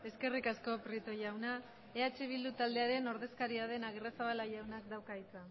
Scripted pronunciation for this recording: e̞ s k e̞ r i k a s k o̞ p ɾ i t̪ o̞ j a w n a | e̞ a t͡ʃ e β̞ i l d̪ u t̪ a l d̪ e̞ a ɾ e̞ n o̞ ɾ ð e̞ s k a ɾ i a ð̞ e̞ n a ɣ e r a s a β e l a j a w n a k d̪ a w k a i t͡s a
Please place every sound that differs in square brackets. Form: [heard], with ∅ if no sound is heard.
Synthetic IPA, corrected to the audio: e̞ s k e̞ r i k a s k o̞ p ɾ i t̪ o̞ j a w n a | e̞ a t͡ʃ e β̞ i l d̪ u t̪ a l d̪ e̞ a ɾ e̞ n o̞ ɾ ð e̞ s k a ɾ i a ð̞ e̞ n a ɣ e r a s a β [a] l a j a w n a k d̪ a w k a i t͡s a